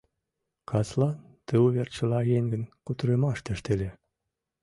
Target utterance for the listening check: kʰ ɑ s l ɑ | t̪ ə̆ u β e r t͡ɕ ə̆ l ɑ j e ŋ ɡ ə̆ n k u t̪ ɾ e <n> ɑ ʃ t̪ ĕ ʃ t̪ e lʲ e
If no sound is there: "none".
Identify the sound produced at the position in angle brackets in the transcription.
m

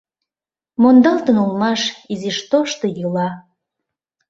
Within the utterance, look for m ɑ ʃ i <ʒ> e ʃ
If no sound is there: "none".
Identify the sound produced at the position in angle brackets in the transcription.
z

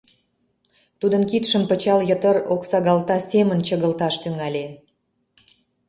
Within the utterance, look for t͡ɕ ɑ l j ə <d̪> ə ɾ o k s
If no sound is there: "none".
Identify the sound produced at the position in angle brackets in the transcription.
t̪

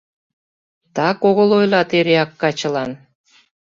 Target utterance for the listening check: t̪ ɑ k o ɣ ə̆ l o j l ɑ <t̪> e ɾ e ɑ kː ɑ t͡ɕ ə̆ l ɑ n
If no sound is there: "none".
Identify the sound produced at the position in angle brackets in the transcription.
t̪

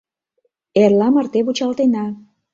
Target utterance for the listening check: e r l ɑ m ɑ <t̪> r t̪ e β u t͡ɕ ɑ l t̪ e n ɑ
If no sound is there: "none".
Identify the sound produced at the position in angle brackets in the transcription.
none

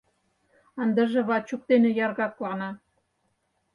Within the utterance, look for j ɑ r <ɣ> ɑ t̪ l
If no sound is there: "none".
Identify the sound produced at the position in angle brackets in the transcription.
ɣ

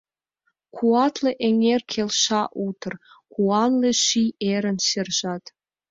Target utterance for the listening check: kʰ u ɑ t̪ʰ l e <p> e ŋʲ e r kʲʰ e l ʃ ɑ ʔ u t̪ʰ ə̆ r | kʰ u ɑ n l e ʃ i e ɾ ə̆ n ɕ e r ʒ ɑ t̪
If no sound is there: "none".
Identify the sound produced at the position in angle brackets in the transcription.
ʔ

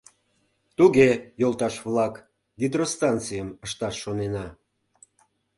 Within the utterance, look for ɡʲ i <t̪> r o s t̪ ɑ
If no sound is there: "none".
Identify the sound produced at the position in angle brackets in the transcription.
d̪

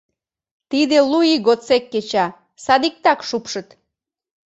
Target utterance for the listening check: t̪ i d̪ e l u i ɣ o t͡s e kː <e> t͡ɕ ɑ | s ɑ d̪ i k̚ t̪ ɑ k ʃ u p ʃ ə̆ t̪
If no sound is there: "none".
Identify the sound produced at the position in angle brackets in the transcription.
e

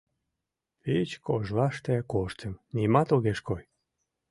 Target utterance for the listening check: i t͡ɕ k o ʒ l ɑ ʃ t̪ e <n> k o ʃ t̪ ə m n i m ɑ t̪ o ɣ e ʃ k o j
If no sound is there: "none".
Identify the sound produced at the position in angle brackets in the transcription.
none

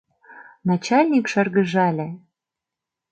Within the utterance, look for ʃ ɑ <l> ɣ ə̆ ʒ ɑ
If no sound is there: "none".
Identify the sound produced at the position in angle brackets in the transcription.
r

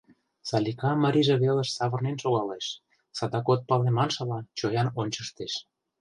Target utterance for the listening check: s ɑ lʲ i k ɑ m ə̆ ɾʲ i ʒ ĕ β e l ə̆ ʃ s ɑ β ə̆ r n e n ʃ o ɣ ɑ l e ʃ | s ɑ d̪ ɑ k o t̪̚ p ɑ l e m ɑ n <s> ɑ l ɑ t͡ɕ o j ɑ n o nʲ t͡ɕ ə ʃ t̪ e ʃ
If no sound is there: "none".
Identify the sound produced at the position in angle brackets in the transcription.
ʃ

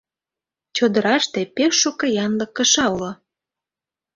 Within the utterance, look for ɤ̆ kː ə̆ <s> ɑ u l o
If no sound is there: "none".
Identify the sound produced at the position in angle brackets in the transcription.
ʃ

